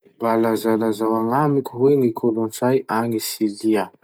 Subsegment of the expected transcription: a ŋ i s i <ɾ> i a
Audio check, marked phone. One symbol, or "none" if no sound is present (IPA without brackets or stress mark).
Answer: l